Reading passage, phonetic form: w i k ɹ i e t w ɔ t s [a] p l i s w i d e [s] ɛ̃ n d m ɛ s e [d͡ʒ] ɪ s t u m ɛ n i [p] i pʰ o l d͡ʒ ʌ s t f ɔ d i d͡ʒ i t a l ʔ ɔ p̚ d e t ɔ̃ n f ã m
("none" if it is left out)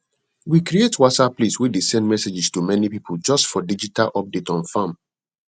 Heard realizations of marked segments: a, s, d͡ʒ, p

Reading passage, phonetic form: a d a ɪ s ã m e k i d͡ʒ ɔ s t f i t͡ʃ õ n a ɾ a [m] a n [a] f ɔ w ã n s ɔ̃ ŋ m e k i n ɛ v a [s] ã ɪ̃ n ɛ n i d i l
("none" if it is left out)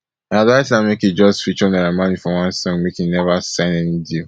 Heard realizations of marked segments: m, i, s

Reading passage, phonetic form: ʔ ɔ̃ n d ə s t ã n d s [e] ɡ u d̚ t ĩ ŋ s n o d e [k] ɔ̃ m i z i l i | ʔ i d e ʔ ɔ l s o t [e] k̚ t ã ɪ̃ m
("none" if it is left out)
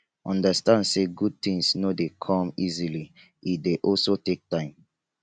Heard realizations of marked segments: e, kʰ, e

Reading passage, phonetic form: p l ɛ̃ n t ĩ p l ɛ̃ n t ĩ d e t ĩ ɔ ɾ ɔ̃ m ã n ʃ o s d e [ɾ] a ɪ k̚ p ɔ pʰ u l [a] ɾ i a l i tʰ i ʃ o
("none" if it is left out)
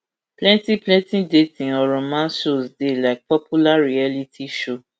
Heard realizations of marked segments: l, a

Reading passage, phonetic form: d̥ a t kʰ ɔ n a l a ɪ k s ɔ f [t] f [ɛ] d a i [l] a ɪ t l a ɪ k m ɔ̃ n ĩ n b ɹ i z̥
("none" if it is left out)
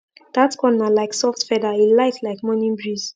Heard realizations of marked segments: t, ɛ, l

